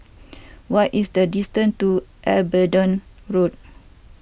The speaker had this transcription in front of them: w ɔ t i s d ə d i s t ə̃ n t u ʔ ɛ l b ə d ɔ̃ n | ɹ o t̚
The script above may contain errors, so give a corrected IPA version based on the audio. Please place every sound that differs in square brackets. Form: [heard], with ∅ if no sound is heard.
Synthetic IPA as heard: w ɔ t i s d ə d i s t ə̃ n t u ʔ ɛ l b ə d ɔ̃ n | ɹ o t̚